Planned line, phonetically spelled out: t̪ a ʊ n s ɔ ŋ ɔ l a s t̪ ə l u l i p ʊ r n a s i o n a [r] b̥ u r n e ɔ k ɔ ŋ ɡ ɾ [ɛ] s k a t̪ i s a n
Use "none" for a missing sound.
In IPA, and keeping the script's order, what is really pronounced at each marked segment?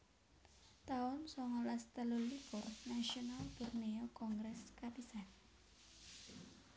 l, ɛ

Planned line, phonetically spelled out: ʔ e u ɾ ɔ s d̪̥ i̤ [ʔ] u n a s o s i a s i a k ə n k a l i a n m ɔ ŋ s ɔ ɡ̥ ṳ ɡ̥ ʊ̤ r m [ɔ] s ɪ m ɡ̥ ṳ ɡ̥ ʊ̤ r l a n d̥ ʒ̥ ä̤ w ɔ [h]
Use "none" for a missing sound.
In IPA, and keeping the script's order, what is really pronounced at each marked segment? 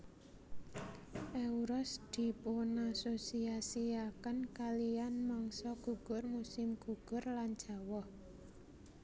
p, u, h

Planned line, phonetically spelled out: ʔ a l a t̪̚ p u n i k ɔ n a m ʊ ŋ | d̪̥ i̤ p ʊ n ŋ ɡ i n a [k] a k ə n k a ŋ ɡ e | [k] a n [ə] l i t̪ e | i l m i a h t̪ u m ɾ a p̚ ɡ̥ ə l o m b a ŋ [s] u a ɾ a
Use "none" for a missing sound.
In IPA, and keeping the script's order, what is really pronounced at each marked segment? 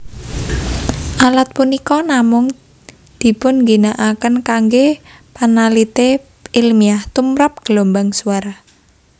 ʔ, p, a, s

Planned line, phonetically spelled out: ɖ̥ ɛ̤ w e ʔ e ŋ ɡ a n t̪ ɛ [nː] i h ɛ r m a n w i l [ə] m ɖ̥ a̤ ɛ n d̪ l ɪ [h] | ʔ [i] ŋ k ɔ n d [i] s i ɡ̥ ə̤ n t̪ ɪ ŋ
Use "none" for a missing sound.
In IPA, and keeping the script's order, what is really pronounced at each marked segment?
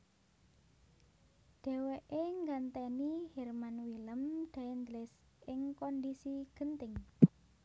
n, ə, s, ɪ, i

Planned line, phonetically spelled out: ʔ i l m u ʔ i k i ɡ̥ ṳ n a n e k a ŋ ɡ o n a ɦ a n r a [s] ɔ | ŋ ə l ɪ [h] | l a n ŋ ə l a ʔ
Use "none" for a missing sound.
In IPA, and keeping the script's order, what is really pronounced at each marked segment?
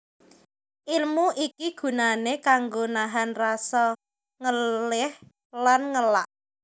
s, h

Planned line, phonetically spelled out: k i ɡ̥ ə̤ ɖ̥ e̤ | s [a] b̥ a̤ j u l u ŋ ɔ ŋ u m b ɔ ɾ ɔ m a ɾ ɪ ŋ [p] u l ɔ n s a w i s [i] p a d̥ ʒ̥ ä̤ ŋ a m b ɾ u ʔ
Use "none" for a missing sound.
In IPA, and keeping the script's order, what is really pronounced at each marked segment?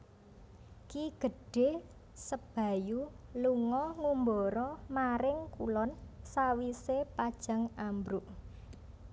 ə, k, e

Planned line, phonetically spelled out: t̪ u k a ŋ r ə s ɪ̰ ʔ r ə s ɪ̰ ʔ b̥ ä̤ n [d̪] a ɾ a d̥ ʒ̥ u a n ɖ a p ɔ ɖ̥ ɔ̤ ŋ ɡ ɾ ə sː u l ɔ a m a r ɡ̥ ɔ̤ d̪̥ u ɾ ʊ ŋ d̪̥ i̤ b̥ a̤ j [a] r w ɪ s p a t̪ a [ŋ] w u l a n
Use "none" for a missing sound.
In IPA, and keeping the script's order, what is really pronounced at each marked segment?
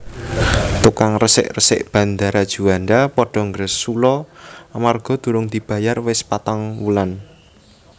d̪, a, ŋ

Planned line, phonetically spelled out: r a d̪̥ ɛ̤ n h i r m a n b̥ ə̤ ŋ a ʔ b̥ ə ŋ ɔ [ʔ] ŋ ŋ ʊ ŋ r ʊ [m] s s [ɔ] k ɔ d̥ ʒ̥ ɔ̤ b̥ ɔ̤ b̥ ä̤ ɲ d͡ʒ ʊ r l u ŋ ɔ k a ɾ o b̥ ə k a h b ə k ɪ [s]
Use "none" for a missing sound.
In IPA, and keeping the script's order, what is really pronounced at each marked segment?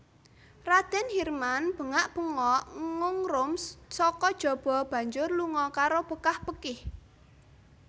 ʔ, m, ɔ, h

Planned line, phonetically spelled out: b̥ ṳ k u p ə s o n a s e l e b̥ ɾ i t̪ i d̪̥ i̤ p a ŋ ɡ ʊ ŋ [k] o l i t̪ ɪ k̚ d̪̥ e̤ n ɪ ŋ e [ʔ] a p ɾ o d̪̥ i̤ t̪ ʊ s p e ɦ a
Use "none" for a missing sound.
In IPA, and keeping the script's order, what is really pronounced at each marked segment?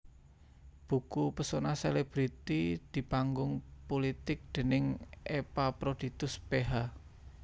p, p

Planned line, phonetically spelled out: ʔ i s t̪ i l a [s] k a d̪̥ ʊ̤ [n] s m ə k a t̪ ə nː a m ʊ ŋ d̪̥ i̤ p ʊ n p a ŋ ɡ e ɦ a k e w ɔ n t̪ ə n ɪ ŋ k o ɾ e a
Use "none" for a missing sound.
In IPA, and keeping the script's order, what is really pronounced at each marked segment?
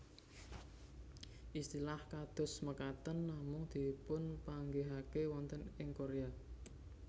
h, none

